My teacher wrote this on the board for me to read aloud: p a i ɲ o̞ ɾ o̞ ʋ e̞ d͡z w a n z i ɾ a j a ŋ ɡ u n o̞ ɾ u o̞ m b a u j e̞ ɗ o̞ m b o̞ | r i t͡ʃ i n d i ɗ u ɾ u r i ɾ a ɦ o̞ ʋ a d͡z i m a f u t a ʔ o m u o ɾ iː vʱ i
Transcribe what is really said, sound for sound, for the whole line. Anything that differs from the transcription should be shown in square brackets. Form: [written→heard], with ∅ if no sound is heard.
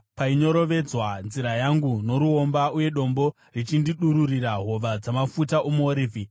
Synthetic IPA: p a i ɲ o̞ ɾ o̞ ʋ e̞ d͡z w a n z i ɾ a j a ŋ ɡ u n o̞ ɾ u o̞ m b a u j e̞ ɗ o̞ m b o̞ | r i t͡ʃ i n d i ɗ u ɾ u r i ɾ a ɦ o̞ ʋ a d͡z [i→a] m a f u t a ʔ o m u o ɾ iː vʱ i